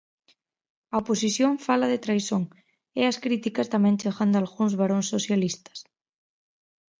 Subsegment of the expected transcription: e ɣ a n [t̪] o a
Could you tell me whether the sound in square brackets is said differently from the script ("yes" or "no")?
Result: yes